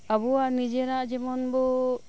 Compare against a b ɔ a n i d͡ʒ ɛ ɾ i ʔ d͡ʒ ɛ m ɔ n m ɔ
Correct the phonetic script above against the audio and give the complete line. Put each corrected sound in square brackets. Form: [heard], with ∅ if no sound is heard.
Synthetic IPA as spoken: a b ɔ a n i d͡ʒ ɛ ɾ [a] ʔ d͡ʒ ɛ m ɔ n [b] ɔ